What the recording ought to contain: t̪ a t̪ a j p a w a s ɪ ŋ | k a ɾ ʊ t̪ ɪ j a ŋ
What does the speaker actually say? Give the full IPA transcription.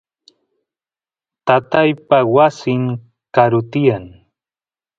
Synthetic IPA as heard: t̪ a t̪ a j p a w a s ɪ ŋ | k a ɾ ʊ t̪ ɪ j a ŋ